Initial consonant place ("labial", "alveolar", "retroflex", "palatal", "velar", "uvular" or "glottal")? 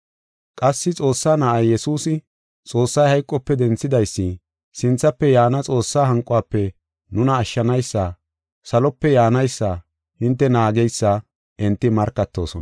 velar